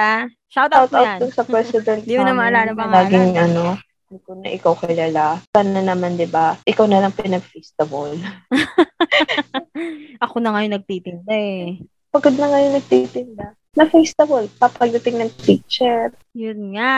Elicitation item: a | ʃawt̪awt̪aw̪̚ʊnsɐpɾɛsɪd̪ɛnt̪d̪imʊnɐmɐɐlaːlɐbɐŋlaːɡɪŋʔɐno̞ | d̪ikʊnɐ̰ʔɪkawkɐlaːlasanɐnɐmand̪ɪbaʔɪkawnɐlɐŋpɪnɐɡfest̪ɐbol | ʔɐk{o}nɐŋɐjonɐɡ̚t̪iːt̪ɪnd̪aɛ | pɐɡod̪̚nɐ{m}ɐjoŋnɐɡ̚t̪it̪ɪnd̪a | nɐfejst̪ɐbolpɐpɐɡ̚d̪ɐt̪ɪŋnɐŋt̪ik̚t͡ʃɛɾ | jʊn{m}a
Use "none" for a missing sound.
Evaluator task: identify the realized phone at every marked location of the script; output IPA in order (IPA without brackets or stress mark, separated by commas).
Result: o, ŋ, ŋ